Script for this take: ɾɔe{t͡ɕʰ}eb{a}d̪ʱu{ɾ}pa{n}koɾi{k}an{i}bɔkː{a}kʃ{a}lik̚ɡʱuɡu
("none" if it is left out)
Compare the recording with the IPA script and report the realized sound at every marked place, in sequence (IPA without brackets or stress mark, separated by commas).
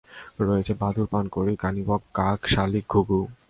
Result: t͡ɕʰ, a, ɾ, n, k, i, a, a